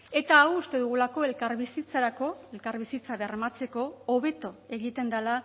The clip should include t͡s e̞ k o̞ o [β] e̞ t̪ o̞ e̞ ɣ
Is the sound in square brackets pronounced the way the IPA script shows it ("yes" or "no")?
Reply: yes